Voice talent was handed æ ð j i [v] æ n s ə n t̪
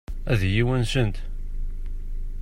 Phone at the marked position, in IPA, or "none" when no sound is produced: w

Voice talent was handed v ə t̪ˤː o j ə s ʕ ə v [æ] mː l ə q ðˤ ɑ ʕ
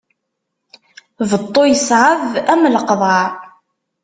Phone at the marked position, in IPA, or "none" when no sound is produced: æ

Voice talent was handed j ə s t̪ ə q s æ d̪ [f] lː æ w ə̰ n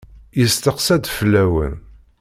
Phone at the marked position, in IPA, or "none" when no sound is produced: f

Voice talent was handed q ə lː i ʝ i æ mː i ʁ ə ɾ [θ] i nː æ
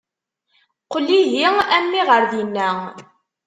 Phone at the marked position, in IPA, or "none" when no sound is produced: ð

